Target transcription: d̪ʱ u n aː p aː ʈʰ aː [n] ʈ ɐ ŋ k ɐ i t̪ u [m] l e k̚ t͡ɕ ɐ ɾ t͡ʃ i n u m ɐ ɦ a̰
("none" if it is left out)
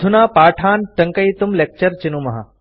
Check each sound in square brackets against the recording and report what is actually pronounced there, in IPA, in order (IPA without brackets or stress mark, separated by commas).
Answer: n, m